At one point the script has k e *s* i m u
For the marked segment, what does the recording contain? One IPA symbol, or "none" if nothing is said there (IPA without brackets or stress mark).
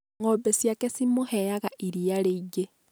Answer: s